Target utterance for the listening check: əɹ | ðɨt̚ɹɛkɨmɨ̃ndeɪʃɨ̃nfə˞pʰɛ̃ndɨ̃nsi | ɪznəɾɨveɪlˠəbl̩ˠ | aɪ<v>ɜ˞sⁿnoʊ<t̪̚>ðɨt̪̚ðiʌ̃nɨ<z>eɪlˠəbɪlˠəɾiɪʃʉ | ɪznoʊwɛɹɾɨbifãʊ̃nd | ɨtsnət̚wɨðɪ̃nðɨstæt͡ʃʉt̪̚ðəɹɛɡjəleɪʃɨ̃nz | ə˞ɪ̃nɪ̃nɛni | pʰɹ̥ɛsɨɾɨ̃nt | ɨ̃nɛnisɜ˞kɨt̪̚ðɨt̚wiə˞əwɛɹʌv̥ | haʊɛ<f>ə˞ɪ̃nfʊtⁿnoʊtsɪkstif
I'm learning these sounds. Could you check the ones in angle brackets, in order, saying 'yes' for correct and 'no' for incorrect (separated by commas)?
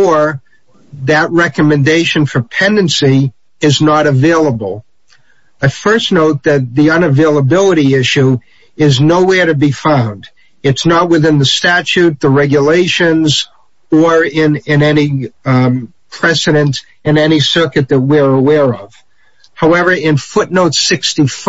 no, yes, no, no